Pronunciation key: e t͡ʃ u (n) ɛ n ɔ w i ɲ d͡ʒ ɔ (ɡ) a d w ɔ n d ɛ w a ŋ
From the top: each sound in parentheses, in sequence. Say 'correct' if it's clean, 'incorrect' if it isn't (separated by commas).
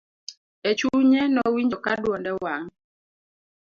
incorrect, incorrect